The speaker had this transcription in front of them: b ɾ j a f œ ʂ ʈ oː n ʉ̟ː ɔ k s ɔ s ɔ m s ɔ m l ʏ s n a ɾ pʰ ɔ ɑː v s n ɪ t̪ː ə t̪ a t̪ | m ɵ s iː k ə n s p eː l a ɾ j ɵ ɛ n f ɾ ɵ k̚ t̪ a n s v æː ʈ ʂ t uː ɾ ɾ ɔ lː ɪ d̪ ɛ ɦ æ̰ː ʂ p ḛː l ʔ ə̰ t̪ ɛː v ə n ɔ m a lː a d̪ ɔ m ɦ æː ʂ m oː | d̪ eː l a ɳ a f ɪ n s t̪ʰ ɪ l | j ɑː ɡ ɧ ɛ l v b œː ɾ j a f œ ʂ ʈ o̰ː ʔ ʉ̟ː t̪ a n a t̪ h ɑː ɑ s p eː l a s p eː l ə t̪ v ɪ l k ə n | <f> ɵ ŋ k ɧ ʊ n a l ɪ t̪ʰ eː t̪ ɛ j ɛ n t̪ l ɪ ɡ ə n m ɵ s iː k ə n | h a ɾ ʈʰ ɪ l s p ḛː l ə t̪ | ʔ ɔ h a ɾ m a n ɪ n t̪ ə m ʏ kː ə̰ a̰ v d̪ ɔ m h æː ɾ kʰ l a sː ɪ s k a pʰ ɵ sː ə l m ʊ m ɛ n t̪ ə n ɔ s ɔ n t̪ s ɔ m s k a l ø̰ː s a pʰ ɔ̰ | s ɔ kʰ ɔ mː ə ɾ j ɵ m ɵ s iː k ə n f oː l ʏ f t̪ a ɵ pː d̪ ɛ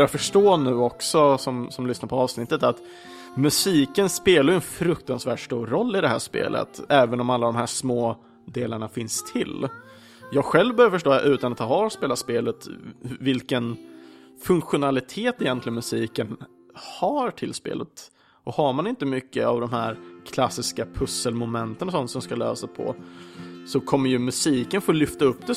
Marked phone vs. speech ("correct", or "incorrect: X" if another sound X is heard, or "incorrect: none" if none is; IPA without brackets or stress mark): correct